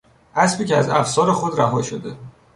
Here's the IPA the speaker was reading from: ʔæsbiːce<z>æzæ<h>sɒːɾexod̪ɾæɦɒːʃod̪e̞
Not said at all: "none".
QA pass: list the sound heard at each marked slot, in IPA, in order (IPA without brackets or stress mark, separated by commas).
none, f